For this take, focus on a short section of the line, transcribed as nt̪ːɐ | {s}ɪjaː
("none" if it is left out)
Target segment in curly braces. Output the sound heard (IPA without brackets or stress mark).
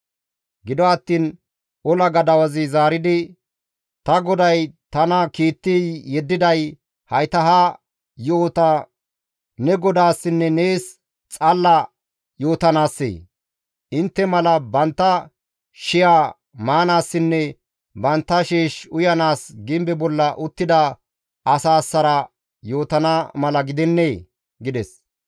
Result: ʃ